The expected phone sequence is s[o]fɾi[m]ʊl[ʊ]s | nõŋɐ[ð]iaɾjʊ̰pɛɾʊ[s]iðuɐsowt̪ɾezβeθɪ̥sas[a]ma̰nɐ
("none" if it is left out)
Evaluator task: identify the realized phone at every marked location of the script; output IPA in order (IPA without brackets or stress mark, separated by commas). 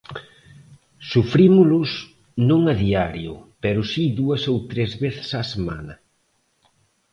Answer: u, m, ʊ, ð, s, e